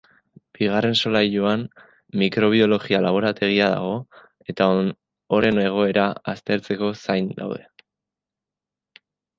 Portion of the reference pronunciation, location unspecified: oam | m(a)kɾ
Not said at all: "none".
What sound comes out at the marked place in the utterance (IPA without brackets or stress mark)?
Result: i